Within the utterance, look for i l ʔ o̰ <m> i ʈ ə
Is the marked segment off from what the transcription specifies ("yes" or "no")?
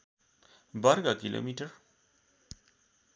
no